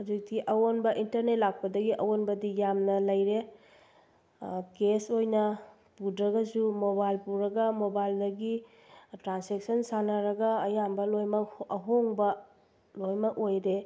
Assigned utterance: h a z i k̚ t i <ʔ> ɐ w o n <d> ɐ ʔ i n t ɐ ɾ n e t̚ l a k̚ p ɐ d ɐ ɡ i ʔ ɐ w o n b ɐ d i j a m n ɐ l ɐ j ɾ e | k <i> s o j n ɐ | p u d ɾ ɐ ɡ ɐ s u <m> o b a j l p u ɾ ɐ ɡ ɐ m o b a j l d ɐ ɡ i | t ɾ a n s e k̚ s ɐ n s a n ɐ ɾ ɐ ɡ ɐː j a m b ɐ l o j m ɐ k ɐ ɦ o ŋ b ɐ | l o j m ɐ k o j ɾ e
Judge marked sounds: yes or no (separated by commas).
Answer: yes, no, no, yes